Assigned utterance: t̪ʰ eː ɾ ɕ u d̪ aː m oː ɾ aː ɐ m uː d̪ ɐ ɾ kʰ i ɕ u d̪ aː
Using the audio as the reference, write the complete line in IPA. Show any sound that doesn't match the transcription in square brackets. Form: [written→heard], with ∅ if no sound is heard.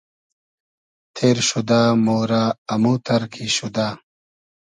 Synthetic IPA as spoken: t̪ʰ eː ɾ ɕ u d̪ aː m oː ɾ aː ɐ m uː [d̪→t̪] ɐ ɾ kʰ i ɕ u d̪ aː